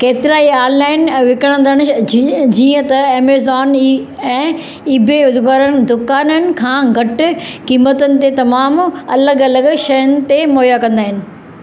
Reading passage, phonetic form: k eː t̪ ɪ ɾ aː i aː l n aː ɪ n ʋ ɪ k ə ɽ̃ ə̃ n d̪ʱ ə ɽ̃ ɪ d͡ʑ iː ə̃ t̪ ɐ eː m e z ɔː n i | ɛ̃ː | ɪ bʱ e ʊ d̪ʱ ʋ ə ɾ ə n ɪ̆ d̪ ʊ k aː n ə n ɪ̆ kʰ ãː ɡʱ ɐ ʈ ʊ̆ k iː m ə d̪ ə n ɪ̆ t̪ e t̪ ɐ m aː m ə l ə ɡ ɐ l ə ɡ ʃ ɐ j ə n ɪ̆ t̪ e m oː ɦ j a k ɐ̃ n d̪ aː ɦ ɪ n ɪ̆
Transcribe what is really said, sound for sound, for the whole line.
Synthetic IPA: k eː t̪ ɪ ɾ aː i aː l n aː ɪ n ʋ ɪ k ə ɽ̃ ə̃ n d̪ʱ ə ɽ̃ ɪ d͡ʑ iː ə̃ t̪ ɐ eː m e z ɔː n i | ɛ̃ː | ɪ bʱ e ʊ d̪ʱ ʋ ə ɾ ə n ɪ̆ d̪ ʊ k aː n ə n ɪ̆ kʰ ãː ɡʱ ɐ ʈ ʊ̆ k iː m ə t̪ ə n ɪ̆ t̪ e t̪ ɐ m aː m ɐ l ə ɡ ɐ l ə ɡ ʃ ɐ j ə n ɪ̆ t̪ e m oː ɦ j a k ɐ̃ n d̪ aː ɦ ɪ n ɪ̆